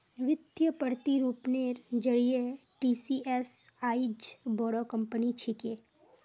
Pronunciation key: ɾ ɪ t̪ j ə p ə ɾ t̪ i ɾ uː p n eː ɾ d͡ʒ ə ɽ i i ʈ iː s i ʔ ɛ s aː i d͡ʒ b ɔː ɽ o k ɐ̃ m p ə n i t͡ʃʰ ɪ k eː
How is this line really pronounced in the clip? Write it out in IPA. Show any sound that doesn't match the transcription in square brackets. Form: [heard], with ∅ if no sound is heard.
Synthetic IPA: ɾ ɪ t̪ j ə p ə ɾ t̪ i ɾ uː p n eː ɾ d͡ʒ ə ɽ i [e] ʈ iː s i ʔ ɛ s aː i d͡ʒ b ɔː ɽ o k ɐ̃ m p ə n i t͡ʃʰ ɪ k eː

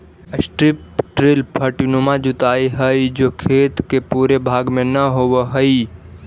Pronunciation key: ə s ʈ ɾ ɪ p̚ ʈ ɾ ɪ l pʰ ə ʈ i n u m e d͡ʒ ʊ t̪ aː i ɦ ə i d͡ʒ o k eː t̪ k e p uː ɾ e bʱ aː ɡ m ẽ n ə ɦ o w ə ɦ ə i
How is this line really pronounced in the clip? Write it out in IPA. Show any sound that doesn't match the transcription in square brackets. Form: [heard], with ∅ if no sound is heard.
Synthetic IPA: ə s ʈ ɾ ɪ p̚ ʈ ɾ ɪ l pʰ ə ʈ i n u m [a] d͡ʒ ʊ t̪ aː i ɦ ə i d͡ʒ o [kʰ] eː t̪ k e p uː ɾ e bʱ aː ɡ m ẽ n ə ɦ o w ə ɦ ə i

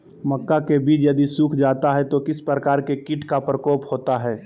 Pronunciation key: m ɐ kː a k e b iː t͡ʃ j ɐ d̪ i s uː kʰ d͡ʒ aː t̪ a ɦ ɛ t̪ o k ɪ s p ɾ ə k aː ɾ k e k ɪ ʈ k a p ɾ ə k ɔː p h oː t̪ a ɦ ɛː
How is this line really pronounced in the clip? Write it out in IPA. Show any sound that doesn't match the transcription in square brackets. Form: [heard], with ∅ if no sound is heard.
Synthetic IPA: m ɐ kː a k e b iː t͡ʃ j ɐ d̪ i s uː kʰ d͡ʒ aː t̪ a ɦ ɛ t̪ o k ɪ s p ɾ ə k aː ɾ k e k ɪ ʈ k a p ɾ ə k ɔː p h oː t̪ a ɦ ɛː

